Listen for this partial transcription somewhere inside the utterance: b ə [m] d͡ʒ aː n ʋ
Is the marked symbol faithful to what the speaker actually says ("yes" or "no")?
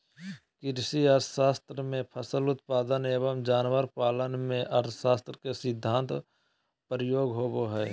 yes